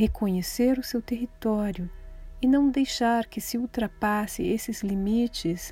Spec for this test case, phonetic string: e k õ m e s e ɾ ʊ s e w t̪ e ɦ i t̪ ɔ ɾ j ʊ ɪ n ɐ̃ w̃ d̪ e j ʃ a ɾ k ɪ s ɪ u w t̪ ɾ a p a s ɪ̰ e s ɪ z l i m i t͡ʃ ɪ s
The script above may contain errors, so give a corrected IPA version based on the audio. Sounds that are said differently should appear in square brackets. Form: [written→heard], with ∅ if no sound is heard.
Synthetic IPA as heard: e k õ [m→ɲ] e s e ɾ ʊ s e w t̪ e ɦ i t̪ ɔ ɾ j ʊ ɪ n ɐ̃ w̃ d̪ e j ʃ a ɾ k ɪ s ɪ u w t̪ ɾ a p a s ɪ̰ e s ɪ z l i m i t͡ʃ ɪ s